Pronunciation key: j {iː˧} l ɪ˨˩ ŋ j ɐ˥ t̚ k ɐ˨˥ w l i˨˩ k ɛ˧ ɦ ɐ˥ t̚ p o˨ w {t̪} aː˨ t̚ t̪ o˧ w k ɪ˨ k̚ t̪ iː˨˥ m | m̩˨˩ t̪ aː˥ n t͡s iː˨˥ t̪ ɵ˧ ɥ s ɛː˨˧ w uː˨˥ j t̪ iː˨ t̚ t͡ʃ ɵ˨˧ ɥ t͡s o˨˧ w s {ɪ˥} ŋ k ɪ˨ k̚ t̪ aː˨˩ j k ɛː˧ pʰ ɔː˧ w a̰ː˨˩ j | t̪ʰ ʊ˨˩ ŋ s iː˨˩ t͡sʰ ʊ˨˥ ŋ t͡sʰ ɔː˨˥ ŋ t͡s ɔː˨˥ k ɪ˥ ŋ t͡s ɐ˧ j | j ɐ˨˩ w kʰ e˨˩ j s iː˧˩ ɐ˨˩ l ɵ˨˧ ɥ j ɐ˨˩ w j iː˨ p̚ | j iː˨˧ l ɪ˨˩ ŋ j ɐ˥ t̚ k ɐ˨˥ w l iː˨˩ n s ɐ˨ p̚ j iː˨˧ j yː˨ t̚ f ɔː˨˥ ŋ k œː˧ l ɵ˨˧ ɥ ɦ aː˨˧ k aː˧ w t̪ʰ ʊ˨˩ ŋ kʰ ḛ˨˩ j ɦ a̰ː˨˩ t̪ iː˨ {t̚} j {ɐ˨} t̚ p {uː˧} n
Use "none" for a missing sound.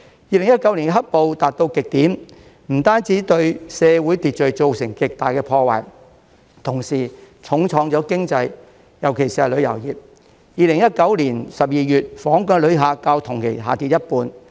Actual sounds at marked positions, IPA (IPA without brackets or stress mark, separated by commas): iː˧, t̪, ɪ˨˩, t̚, ɐ˥, uː˧